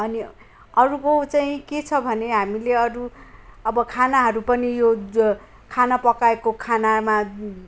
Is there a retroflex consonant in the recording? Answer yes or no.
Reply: no